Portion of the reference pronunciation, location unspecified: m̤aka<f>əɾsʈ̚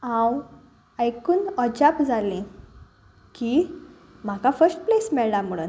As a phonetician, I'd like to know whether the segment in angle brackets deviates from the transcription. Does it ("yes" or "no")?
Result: no